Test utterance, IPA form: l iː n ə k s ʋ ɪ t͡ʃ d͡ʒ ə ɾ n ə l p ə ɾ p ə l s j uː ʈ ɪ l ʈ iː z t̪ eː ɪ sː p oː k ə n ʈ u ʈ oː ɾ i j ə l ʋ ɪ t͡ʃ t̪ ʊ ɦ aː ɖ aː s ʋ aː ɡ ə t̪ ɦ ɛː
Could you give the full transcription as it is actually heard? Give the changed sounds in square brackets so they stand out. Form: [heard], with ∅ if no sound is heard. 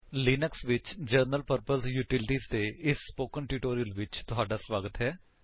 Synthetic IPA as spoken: l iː n ə k s ʋ ɪ t͡ʃ d͡ʒ ə ɾ n ə l p ə ɾ p ə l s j uː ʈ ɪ l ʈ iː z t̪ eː ɪ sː p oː k ə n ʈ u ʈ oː ɾ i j ə l ʋ ɪ t͡ʃ t̪ ʊ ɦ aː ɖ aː s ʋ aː ɡ ə t̪ ɦ ɛː

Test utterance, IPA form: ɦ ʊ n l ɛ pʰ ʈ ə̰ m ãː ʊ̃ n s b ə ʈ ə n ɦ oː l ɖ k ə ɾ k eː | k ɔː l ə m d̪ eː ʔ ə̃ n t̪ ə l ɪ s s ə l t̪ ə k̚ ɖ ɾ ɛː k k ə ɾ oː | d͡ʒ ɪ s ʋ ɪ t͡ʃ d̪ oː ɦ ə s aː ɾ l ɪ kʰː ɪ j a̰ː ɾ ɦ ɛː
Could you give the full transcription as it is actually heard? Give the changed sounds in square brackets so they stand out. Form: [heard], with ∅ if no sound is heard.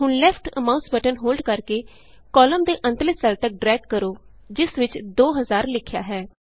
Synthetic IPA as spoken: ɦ ʊ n l ɛ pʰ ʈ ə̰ m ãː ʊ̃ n s b ə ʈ ə n ɦ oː l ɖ k ə ɾ k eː | k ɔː l ə m d̪ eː ʔ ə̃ n t̪ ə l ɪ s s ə l t̪ ə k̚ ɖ ɾ ɛː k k ə ɾ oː | d͡ʒ ɪ s ʋ ɪ t͡ʃ d̪ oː ɦ ə [z] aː ɾ l ɪ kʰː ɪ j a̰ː [∅] ɦ ɛː

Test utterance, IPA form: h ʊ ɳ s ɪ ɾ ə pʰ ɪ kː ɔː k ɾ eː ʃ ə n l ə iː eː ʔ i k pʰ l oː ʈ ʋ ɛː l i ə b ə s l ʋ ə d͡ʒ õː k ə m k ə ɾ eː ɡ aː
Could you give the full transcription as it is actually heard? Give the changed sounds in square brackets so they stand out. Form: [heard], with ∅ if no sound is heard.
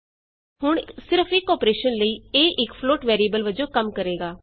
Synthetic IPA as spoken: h ʊ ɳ s ɪ ɾ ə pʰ ɪ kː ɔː [p] ɾ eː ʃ ə n l ə iː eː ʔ [ɪ] k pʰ l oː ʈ ʋ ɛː [ɾ] i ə b ə [∅] l ʋ ə d͡ʒ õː k ə m k ə ɾ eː ɡ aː

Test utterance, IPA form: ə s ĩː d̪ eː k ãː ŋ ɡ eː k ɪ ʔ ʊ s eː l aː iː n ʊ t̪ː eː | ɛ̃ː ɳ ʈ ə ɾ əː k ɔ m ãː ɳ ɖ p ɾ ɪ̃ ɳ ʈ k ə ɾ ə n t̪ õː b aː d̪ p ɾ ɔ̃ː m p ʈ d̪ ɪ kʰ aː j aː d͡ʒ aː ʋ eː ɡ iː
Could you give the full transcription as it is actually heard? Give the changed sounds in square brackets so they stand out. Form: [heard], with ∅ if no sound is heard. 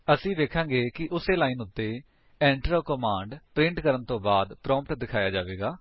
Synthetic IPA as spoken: ə s ĩː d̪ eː [kʰ] ãː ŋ ɡ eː k ɪ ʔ ʊ s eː l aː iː n ʊ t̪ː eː | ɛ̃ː ɳ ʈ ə ɾ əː k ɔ m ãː ɳ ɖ p ɾ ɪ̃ ɳ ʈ k ə ɾ ə n t̪ õː b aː d̪ p ɾ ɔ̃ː m p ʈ d̪ ɪ kʰ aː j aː d͡ʒ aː ʋ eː ɡ [aː]

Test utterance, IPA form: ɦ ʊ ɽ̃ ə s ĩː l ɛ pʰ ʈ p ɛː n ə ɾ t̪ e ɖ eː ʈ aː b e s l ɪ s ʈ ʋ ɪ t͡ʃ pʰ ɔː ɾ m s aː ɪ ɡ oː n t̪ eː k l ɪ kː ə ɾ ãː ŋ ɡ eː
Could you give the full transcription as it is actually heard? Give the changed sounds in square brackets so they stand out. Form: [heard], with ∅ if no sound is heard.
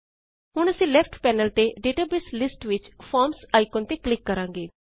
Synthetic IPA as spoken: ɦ ʊ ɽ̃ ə s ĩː l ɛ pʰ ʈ p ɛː n ə [l] t̪ e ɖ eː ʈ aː b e s l ɪ s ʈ ʋ ɪ t͡ʃ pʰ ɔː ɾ m s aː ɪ [k] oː n t̪ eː k l ɪ kː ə ɾ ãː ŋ ɡ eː

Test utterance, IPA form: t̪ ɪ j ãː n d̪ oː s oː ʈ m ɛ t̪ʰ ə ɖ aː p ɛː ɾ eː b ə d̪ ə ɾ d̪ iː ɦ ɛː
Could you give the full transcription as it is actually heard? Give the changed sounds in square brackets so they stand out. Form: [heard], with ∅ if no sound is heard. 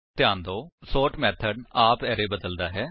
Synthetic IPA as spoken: t̪ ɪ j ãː n d̪ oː s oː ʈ m [ɛː] t̪ʰ ə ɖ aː p ɛː ɾ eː b ə d̪ ə [l] d̪ [aː] ɦ ɛː

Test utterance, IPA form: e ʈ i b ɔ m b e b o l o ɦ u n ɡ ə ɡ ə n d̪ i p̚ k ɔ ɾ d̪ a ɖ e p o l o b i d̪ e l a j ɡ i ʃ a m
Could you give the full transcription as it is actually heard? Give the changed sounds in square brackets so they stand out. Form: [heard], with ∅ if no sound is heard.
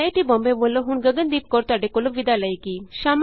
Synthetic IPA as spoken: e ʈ i b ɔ m b e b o l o ɦ u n ɡ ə ɡ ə n d̪ i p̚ k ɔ ɾ [t̪] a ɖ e [k] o l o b i d̪ [a] l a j [k] i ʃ a m

